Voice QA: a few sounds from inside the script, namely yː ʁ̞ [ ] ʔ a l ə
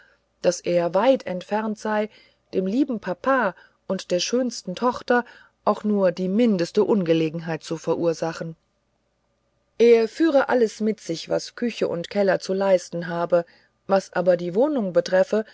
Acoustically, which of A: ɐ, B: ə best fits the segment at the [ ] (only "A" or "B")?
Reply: B